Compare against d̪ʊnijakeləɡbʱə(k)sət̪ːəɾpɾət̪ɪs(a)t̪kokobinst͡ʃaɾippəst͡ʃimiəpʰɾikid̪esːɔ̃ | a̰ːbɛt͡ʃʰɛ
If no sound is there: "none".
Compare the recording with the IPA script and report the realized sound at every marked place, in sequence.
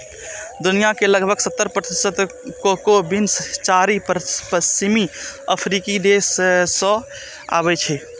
ɡ, ə

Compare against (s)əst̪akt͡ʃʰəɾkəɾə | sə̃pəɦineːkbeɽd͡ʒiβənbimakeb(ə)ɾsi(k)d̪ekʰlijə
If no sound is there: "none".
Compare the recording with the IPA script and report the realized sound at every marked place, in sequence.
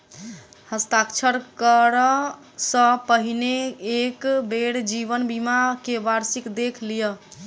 h, a, k

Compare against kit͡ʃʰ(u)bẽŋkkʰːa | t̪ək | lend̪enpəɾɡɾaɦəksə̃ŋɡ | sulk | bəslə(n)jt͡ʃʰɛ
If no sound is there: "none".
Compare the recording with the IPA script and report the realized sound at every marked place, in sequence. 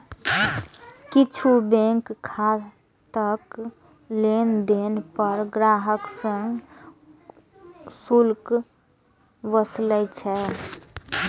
u, none

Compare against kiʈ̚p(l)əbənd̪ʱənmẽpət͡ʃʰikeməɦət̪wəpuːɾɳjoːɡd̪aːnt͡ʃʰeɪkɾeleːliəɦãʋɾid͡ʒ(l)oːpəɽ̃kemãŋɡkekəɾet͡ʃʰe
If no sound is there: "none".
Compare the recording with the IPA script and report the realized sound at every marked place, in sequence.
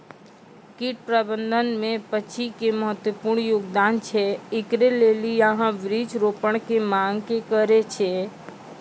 ɾ, ɾ

